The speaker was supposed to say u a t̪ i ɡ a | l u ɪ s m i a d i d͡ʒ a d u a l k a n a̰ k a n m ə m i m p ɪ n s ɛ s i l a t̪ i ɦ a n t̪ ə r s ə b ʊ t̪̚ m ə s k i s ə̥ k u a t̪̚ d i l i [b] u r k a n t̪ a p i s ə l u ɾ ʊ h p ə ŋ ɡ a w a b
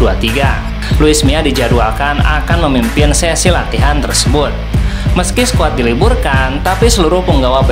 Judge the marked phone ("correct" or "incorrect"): correct